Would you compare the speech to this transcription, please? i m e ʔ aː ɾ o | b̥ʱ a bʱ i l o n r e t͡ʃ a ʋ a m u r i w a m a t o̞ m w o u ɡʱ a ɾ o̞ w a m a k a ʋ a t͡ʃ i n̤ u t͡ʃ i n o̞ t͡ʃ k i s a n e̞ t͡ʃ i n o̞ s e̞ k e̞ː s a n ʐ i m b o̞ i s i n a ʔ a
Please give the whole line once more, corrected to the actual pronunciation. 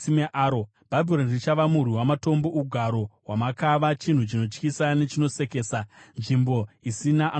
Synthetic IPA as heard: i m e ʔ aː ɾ o | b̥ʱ a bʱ i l o n r i t͡ʃ a ʋ a m u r i w a m a t o̞ m b o u ɡʱ a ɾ o̞ w a m a k a ʋ a t͡ʃ i n̤ u t͡ʃ i n o̞ t͡ʃ k i s a n e̞ t͡ʃ i n o̞ s e̞ k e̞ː s a n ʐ i m b o̞ i s i n a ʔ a